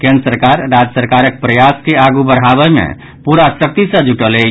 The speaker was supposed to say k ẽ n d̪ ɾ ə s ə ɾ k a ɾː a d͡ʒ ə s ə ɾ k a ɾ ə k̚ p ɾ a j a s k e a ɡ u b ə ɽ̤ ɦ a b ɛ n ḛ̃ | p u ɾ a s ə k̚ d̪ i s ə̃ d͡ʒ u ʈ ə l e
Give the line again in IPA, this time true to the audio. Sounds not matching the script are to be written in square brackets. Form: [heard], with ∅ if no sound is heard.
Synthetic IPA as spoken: k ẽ n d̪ ɾ ə s ə ɾ k a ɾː a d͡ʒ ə s ə ɾ k a ɾ ə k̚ p ɾ [ə] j a s k e a ɡ u b ə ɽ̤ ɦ a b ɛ [m] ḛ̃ | p u ɾ a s ə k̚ [t̪] i s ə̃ d͡ʒ u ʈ ə l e